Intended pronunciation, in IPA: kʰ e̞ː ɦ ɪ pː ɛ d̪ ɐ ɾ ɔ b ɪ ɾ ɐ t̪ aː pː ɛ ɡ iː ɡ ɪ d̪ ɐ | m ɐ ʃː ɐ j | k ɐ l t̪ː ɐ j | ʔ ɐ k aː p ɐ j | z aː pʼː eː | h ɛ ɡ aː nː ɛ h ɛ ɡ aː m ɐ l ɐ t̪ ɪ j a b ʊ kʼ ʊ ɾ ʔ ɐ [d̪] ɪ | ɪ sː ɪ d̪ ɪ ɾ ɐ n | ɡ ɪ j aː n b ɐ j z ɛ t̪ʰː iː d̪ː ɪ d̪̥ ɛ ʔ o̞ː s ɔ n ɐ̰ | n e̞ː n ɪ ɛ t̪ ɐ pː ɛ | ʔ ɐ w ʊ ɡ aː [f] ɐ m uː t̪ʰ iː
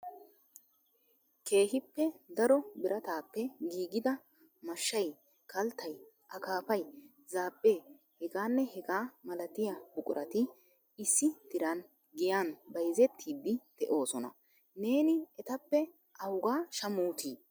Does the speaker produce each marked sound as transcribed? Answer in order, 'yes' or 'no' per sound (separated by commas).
no, no